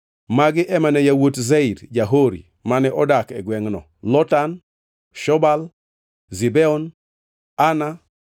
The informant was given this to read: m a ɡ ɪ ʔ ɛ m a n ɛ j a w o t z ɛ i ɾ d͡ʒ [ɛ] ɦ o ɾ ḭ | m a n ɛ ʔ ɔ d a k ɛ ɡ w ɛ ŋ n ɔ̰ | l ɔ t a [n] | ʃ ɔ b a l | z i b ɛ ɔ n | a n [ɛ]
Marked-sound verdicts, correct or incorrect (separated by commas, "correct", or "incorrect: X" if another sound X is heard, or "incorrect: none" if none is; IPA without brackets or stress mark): incorrect: a, correct, incorrect: a